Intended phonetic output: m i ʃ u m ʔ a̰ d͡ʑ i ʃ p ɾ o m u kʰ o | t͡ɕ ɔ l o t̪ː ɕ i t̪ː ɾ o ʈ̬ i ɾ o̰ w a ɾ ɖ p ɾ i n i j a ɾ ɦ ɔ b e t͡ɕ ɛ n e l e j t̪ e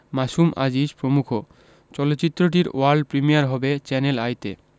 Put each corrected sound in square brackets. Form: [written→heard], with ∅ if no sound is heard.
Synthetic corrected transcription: m [i→a] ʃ u m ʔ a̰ d͡ʑ i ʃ p ɾ o m u kʰ o | t͡ɕ ɔ l o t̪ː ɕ i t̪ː ɾ o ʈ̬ i ɾ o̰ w a ɾ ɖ p ɾ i [n→m] i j a ɾ ɦ ɔ b e t͡ɕ ɛ n e l [e→a] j t̪ e